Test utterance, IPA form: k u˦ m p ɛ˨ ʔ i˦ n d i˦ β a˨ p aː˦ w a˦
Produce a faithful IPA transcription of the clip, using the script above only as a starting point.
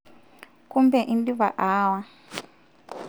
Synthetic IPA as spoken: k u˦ m b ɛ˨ ʔ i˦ n d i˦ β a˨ ʔ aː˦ w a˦